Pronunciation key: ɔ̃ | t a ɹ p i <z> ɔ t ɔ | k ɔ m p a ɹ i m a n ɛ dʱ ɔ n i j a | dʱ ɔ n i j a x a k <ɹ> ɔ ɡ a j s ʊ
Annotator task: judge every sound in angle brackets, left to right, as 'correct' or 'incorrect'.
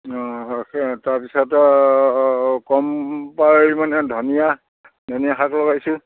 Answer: incorrect, incorrect

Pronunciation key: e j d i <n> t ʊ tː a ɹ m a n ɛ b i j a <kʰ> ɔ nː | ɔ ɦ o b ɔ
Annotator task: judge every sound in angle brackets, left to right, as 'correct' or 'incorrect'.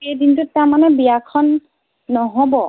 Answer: correct, correct

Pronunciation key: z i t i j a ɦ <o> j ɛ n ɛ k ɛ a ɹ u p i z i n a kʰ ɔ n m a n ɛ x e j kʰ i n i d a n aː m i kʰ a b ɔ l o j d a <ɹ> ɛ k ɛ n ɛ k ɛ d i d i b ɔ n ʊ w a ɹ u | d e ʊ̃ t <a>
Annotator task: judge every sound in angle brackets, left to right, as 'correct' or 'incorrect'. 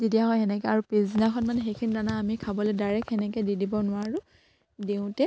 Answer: incorrect, correct, incorrect

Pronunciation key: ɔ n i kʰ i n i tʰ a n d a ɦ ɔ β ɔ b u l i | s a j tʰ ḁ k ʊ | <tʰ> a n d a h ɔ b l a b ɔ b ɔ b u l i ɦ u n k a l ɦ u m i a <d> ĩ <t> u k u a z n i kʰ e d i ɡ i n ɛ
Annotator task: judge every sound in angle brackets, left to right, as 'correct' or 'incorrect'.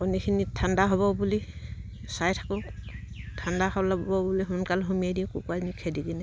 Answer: correct, correct, incorrect

